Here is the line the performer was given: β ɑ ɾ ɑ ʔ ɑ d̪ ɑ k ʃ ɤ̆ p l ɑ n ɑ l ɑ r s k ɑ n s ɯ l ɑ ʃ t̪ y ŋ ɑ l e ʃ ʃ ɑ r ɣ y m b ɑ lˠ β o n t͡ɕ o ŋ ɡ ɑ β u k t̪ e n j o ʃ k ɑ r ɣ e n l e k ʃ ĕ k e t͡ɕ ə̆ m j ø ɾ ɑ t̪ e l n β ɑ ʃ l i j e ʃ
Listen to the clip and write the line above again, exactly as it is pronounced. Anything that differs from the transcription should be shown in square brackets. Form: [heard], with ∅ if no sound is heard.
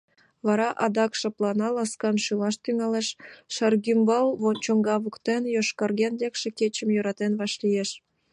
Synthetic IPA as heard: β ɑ ɾ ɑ ʔ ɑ d̪ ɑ k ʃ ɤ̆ p l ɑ n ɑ l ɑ [∅] s k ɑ n [ʃ] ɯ l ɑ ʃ t̪ y ŋ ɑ l e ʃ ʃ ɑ r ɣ y m b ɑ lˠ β o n t͡ɕ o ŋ ɡ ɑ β u k t̪ e n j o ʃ k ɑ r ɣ e n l e k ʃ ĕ k e t͡ɕ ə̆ m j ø ɾ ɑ t̪ e [∅] n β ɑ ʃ l i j e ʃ

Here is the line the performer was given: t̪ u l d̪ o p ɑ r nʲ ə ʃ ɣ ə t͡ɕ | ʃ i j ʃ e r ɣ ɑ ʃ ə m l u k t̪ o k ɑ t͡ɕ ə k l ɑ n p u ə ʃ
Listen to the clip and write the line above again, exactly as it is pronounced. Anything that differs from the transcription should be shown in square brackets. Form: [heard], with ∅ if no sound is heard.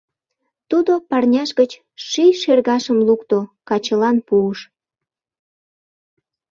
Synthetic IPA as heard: t̪ u [∅] d̪ o p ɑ r nʲ [ɑ] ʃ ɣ ə t͡ɕ | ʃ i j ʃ e r ɣ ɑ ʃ ə m l u k t̪ o k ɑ t͡ɕ ə [∅] l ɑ n p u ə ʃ

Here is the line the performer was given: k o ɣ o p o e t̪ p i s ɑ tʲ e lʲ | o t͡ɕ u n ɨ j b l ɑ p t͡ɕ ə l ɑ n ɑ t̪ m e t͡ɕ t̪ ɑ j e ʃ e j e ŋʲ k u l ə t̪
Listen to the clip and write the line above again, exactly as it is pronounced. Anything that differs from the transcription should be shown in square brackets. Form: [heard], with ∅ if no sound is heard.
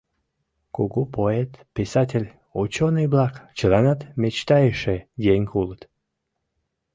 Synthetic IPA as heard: k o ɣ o p o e t̪ p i s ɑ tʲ e lʲ | o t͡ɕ [o] n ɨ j b l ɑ [k] t͡ɕ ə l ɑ n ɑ t̪ m e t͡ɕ t̪ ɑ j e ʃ e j e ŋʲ k u l ə t̪

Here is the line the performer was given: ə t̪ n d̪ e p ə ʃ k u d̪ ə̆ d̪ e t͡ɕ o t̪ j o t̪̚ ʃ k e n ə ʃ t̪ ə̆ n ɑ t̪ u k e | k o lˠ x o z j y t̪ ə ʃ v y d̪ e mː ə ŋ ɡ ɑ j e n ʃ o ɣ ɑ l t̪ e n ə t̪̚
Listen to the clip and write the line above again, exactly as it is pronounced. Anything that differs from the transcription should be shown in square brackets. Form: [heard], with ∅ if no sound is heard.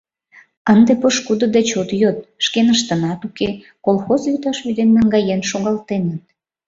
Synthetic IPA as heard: ə [∅] n d̪ e p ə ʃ k u d̪ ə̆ d̪ e t͡ɕ o t̪ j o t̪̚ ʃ k e n ə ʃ t̪ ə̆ n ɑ t̪ u k e | k o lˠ x o z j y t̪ [ɑ] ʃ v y d̪ e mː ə ŋ ɡ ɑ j e n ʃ o ɣ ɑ l t̪ e n ə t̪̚

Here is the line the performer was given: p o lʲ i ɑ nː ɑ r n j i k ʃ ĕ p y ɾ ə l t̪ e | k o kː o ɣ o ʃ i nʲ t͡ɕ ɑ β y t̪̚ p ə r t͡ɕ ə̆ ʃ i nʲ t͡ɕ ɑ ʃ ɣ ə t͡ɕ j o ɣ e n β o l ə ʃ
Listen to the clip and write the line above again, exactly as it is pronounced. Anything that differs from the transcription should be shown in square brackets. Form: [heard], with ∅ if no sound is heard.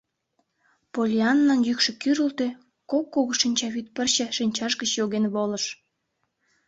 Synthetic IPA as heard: p o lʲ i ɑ nː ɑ [∅] n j [y] k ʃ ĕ [k] y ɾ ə l t̪ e | k o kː o ɣ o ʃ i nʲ t͡ɕ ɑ β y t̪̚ p ə r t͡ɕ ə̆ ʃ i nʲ t͡ɕ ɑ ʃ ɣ ə t͡ɕ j o ɣ e n β o l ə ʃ

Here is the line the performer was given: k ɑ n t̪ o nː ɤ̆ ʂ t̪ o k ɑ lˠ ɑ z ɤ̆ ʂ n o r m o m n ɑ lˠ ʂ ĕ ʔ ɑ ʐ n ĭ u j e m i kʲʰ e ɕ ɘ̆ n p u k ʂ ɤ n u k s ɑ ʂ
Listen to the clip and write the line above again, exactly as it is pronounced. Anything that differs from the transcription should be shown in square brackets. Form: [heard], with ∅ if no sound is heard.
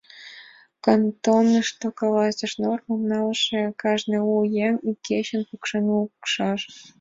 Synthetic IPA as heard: k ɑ n t̪ o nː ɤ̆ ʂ t̪ o k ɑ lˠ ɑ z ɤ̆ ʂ n o r m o m n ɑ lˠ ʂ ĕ [k] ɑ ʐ n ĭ u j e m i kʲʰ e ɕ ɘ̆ n p u k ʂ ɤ n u k [ʂ] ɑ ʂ

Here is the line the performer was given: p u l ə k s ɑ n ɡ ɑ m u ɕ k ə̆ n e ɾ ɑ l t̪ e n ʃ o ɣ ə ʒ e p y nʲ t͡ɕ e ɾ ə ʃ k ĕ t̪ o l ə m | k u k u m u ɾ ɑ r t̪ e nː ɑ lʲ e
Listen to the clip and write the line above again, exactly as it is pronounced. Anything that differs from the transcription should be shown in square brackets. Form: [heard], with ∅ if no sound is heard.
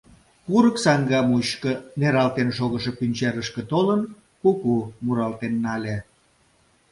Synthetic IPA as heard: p u [ɾ] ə k s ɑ [ŋ] ɡ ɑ m u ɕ k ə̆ n e ɾ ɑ l t̪ e n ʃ o ɣ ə [ʃ] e p y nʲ t͡ɕ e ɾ ə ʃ k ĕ t̪ o l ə [n] | k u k u m u ɾ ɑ [l] t̪ e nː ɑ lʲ e

